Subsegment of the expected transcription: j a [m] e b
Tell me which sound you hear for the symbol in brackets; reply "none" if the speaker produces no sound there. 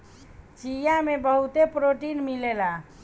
m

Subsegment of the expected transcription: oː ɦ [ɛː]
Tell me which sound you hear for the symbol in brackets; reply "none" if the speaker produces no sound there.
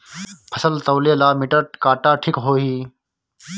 iː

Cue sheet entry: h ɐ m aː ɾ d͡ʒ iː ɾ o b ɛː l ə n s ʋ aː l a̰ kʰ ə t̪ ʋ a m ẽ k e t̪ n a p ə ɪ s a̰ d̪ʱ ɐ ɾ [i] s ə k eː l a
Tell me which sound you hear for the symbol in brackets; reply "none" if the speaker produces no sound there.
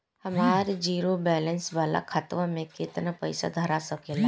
a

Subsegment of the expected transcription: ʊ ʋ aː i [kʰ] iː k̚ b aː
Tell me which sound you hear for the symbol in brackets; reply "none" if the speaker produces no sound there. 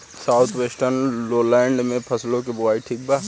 ʈʰ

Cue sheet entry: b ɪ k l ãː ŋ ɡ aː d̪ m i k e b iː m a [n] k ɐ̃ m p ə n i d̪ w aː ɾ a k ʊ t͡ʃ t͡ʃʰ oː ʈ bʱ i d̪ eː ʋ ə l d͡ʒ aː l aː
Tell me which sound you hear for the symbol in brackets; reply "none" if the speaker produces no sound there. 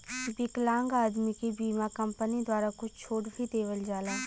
none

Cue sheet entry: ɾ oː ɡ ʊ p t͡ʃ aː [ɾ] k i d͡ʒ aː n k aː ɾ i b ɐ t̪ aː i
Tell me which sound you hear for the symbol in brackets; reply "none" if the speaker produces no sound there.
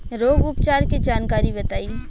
ɾ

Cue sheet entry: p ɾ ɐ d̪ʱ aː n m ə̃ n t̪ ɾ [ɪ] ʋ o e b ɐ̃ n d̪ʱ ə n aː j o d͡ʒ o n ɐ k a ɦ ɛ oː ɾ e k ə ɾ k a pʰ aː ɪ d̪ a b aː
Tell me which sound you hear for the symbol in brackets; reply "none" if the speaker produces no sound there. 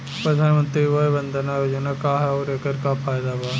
i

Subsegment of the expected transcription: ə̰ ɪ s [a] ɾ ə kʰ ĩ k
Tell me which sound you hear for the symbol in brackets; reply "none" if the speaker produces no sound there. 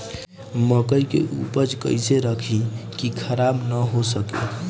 e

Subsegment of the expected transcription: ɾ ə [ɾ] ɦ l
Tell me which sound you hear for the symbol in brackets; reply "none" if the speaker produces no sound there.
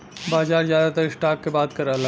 none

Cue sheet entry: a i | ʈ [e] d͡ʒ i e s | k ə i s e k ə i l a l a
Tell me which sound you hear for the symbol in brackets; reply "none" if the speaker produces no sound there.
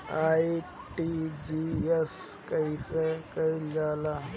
i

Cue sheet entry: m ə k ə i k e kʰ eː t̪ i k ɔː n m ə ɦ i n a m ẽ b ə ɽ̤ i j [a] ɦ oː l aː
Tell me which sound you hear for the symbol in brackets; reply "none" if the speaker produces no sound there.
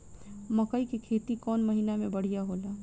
a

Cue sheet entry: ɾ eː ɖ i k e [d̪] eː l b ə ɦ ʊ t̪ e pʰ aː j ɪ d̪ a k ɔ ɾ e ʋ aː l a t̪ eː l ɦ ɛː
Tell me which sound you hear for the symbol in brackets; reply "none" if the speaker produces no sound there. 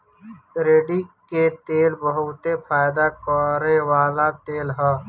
t̪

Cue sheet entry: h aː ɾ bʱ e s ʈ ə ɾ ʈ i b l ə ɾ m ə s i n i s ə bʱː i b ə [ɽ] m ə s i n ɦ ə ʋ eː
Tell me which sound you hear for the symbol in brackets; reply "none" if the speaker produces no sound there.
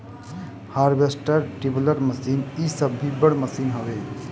ɽ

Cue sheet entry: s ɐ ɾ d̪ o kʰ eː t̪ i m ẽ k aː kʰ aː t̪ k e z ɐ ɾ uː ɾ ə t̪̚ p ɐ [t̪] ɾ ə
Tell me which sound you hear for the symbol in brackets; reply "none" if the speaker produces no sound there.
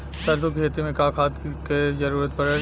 none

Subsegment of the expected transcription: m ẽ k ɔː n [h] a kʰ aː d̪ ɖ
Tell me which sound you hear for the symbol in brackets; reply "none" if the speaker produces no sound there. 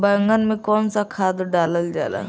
s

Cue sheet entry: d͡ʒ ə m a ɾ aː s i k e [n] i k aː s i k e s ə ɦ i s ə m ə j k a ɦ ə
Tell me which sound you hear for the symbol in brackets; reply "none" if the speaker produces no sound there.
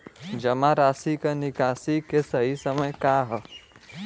n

